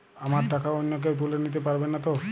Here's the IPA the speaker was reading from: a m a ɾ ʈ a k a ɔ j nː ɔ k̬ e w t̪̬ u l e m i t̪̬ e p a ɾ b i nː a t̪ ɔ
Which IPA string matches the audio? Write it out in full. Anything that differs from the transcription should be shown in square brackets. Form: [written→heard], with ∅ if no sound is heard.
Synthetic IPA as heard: a m a ɾ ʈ a k a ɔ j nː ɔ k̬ e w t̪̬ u l e [m→n] i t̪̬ e p a ɾ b [i→e] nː a t̪ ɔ